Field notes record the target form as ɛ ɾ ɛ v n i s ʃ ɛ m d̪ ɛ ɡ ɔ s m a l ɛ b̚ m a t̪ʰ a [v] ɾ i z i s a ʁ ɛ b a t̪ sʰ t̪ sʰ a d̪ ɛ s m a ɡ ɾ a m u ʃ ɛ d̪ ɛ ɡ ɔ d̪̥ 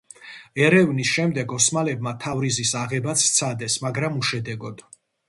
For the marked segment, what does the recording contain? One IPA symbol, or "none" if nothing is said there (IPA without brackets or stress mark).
v